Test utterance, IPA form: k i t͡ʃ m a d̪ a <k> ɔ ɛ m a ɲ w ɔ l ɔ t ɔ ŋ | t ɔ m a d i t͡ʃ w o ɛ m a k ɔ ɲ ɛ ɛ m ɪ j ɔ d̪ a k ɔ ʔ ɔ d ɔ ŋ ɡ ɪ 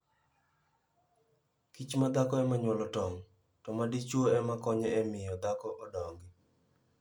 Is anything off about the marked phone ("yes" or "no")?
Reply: no